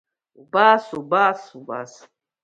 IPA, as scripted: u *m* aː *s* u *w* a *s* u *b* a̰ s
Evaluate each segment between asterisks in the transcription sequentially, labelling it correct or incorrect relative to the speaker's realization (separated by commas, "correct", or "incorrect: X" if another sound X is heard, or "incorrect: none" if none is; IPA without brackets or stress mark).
incorrect: b, correct, incorrect: b, correct, correct